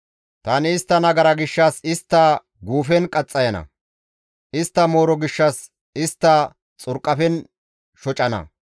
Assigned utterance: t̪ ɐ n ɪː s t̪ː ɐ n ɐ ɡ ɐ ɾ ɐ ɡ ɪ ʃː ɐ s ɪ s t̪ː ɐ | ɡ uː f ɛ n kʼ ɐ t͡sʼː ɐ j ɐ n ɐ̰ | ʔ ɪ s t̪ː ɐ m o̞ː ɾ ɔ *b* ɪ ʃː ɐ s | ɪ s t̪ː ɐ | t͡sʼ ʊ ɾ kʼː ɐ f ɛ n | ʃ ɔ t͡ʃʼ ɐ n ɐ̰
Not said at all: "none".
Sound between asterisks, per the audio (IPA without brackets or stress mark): ɡ